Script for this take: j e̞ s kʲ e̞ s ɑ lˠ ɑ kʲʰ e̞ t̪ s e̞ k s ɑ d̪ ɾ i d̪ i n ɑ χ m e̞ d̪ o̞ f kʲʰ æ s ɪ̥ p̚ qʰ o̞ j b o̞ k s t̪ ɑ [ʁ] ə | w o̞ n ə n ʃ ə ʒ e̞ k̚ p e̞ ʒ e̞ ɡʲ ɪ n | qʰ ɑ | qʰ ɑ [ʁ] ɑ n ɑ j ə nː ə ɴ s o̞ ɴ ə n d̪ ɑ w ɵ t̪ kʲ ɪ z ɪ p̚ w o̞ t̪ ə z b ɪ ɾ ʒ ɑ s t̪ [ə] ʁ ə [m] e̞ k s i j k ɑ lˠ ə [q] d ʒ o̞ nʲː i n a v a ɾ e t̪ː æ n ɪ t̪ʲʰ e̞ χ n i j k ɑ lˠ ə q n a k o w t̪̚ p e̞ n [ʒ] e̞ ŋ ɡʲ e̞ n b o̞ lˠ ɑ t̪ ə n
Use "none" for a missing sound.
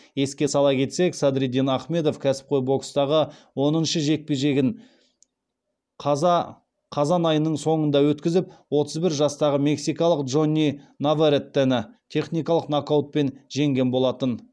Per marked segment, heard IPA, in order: ʁ, z, ɑ, m, q, ʒ

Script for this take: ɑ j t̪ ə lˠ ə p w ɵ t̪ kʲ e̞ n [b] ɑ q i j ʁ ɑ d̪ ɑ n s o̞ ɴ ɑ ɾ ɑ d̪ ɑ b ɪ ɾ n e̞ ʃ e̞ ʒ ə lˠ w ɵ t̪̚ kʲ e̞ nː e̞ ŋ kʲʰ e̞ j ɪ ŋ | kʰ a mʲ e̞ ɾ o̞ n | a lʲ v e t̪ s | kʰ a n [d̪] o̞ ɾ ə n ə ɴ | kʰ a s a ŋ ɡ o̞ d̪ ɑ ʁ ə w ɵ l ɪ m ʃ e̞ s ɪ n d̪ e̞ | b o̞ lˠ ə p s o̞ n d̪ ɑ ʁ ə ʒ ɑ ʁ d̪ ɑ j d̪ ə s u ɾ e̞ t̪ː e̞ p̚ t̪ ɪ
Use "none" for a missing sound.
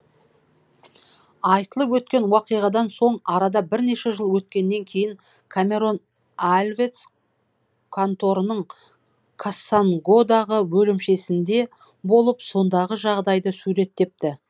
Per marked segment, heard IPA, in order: w, t̪

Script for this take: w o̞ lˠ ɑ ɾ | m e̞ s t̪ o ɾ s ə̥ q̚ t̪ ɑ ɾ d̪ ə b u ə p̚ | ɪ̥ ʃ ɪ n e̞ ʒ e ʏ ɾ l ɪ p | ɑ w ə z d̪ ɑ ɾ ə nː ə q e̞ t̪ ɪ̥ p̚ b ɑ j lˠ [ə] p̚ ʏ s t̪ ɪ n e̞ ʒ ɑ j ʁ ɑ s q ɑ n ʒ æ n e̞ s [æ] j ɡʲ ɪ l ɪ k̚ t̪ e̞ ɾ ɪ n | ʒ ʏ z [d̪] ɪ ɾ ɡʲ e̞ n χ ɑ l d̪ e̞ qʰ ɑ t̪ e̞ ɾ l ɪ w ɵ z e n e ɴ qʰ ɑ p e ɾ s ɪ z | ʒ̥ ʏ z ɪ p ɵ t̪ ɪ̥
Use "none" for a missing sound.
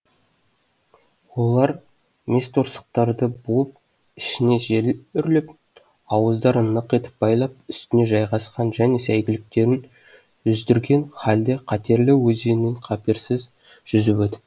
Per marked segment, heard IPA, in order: ɑ, æ, d̪

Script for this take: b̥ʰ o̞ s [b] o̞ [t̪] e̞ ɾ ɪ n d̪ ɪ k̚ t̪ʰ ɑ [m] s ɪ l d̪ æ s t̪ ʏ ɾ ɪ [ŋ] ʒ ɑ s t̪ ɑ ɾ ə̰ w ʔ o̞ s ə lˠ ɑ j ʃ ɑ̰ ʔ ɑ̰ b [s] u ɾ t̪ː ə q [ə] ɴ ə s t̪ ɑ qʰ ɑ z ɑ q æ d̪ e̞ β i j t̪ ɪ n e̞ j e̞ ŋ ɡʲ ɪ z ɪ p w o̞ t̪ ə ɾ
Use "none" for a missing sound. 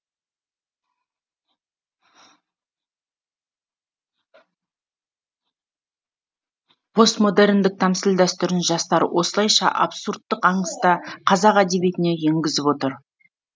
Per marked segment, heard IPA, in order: m, d̪, m, n, s, ɑ

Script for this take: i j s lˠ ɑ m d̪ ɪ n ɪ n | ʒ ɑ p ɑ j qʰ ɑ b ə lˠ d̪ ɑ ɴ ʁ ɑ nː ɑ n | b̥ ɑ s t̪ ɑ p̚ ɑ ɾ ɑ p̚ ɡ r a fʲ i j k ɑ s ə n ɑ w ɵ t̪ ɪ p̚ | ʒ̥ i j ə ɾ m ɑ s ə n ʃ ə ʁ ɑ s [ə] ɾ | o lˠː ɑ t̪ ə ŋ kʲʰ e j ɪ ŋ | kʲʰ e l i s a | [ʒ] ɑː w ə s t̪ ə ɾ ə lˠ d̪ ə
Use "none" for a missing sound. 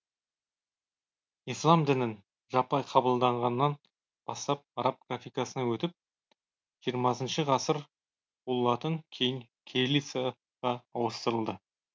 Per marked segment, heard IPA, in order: ə, ʁ

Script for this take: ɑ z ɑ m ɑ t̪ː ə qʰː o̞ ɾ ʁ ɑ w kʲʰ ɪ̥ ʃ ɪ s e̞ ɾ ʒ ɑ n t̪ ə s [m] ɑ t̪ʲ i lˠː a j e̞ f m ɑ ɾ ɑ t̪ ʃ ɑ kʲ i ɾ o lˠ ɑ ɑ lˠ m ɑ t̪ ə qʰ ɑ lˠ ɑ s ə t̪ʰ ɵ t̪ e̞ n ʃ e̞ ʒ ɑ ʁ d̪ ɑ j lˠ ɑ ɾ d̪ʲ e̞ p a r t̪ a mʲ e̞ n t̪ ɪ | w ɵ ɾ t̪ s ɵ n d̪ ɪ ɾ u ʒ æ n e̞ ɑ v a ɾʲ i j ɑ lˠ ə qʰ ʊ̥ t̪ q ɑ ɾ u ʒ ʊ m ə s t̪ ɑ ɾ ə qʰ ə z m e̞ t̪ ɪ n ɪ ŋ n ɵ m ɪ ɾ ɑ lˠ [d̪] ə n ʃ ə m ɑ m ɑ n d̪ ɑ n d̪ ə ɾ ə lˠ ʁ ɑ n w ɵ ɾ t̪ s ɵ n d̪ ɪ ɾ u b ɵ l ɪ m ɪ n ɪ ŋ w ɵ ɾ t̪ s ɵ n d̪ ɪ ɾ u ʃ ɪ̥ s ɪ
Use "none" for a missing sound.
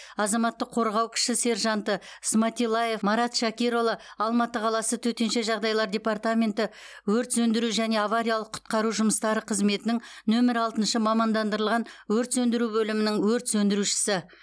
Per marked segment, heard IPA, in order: m, t̪

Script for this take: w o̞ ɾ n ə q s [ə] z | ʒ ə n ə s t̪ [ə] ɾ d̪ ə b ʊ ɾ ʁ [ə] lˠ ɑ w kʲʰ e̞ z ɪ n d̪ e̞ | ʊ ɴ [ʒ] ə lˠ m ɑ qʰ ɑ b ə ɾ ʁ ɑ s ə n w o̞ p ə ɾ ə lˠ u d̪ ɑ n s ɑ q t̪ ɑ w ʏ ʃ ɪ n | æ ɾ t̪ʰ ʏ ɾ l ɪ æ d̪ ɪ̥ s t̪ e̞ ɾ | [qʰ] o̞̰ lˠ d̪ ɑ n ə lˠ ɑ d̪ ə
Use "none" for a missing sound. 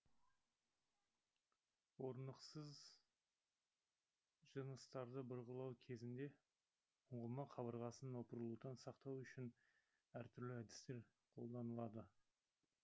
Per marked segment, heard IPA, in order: ə, ɑ, ə, ʁ, qʰ

